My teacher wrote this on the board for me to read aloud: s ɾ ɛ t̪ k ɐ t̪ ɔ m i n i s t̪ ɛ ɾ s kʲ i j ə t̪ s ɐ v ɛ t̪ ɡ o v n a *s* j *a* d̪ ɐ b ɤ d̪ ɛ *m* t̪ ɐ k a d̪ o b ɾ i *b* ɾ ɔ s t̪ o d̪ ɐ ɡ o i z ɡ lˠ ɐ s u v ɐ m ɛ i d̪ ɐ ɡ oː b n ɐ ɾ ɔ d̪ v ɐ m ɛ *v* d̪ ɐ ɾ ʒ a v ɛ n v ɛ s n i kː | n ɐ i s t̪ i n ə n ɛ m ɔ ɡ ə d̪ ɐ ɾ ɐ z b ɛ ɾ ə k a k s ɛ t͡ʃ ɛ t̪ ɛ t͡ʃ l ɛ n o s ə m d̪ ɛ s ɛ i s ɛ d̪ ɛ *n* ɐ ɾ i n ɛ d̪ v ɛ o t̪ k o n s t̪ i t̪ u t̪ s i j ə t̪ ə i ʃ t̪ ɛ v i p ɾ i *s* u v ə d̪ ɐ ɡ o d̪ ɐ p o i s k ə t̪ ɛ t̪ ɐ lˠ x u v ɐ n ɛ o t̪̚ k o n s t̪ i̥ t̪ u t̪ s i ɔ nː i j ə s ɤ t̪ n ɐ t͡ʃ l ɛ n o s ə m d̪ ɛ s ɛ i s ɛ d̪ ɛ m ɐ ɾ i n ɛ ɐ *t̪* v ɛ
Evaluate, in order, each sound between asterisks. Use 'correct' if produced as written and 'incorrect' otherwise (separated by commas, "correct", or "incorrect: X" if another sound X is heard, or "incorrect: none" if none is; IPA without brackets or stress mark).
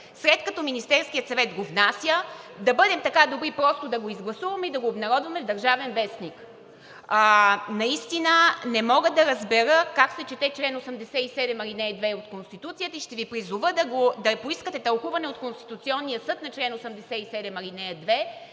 correct, incorrect: ə, correct, incorrect: p, correct, incorrect: m, incorrect: z, incorrect: d̪